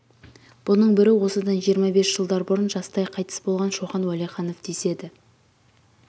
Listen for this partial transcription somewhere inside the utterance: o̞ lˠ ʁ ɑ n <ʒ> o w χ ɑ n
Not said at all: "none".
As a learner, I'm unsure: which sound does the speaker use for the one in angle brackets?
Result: ʃ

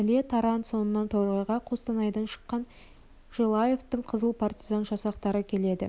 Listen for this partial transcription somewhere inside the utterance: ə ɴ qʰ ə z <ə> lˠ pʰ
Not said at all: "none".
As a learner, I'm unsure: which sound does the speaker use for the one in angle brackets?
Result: ə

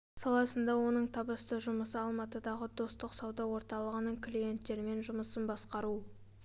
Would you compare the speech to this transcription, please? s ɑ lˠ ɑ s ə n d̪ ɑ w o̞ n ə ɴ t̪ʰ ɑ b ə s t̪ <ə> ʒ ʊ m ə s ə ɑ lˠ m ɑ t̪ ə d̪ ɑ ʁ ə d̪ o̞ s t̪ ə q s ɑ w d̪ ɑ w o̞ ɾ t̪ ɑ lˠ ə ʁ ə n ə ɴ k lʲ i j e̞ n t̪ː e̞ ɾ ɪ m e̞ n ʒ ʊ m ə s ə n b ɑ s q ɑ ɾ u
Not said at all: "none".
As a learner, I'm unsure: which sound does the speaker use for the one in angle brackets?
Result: ə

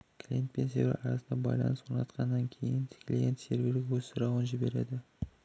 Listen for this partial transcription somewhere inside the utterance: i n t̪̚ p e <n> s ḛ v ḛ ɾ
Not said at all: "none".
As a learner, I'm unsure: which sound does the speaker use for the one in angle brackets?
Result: n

